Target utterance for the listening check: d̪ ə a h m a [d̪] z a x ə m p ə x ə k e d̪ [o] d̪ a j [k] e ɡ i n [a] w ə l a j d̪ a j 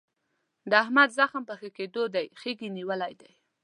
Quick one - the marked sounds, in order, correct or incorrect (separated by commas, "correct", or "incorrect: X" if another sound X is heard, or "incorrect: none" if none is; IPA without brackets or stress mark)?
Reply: correct, correct, incorrect: x, incorrect: i